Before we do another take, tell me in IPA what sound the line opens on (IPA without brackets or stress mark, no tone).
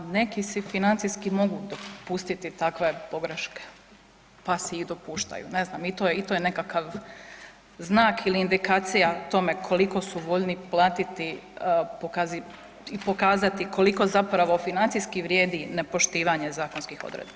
n